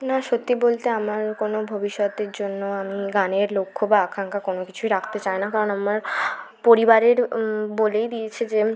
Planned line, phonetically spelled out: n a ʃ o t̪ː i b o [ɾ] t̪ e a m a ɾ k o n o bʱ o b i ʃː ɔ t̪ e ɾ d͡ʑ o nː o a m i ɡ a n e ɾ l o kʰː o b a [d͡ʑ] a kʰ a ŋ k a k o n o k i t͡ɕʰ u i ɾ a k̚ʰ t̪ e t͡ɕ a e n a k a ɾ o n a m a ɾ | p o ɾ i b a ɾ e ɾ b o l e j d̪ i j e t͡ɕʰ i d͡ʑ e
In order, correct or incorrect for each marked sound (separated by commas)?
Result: incorrect, incorrect